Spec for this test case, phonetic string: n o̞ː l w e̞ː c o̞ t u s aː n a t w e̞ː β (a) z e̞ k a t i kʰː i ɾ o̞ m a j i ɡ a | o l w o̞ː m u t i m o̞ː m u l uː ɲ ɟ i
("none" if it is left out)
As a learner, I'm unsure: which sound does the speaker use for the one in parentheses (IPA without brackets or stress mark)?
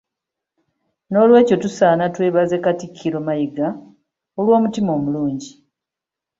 a